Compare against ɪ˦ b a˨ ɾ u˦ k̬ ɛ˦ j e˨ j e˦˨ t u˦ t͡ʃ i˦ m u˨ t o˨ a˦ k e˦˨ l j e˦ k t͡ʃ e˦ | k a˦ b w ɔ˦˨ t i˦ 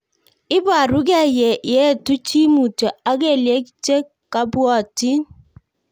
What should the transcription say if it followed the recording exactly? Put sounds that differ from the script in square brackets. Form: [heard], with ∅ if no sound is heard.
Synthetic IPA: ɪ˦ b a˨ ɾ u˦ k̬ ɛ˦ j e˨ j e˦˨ t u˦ t͡ʃ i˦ m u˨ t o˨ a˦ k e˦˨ l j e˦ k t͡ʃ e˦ | k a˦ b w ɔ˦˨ t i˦